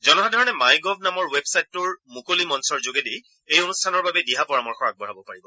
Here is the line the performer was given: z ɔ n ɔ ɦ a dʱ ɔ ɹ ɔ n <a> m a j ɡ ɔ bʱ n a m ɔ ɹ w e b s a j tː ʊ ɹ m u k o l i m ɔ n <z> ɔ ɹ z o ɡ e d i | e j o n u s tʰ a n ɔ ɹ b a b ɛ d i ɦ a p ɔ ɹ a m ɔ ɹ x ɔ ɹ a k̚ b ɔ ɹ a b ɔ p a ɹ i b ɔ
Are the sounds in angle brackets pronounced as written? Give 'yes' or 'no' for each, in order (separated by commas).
no, no